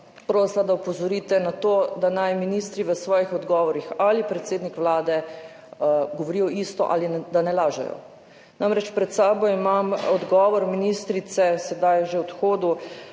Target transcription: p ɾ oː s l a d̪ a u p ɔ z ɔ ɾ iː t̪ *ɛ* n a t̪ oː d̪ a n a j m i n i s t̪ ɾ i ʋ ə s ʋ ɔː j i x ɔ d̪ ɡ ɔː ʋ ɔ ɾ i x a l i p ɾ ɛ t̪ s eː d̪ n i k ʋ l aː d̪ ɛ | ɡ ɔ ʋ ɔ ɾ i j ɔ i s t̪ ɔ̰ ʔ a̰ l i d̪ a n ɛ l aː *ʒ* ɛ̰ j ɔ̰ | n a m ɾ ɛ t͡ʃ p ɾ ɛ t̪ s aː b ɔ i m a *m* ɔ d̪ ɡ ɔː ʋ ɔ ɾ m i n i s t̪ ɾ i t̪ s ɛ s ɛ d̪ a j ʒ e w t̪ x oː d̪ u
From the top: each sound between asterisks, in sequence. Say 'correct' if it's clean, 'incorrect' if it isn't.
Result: correct, correct, correct

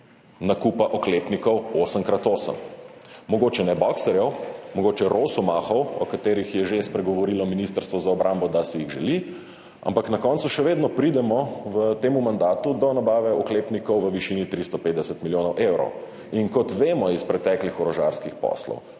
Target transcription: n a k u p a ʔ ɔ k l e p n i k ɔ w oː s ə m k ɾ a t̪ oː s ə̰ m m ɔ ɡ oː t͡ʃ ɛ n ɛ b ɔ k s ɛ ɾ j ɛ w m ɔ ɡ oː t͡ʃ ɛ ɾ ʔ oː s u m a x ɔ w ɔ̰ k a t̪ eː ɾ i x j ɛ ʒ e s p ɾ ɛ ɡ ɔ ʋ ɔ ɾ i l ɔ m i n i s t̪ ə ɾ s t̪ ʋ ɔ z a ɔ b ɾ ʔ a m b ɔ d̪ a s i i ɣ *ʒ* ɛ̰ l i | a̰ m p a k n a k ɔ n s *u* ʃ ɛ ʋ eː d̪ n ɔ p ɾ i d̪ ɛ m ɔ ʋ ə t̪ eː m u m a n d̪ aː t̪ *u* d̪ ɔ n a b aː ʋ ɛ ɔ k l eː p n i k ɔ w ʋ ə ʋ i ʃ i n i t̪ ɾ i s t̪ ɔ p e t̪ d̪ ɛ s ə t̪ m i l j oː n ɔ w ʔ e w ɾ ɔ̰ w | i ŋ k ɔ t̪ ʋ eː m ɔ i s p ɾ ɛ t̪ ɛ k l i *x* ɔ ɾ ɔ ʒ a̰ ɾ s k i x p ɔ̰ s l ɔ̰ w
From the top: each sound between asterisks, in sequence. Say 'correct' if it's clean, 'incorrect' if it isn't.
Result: correct, correct, correct, correct

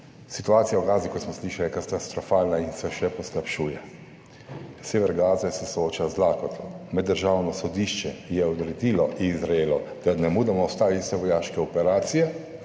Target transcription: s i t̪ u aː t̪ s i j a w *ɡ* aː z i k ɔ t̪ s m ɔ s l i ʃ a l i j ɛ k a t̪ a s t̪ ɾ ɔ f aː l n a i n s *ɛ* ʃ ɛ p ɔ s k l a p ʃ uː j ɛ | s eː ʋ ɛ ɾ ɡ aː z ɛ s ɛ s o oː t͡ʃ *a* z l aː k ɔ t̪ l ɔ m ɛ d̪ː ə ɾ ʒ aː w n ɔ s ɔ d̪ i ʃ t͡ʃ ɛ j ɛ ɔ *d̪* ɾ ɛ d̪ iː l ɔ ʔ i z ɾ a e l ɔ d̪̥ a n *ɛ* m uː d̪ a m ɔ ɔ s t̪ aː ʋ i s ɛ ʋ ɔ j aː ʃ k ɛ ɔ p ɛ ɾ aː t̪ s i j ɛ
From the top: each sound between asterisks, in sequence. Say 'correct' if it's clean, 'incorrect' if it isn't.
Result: correct, correct, correct, correct, correct

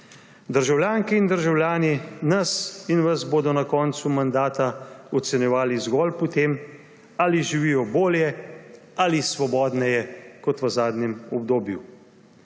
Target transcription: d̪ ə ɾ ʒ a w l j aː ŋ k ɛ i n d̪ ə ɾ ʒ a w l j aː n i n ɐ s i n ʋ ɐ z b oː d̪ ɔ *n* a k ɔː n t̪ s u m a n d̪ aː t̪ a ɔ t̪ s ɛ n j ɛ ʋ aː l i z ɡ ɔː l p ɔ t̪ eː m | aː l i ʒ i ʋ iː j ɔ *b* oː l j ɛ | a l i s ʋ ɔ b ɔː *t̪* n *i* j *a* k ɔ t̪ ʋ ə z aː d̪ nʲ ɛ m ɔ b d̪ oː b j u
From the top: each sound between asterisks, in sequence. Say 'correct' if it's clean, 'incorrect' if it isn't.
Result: correct, correct, incorrect: d̪, incorrect: ɛ, incorrect: ɛ

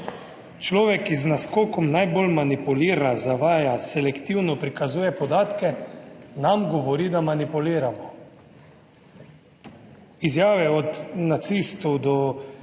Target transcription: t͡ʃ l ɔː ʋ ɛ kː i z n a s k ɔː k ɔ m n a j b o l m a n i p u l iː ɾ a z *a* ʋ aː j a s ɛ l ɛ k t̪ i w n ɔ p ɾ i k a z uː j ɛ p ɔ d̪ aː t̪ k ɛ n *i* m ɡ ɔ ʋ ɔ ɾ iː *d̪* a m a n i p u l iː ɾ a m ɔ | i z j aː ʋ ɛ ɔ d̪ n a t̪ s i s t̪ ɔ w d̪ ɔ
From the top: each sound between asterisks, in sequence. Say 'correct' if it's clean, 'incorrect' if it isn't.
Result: correct, incorrect: a, correct

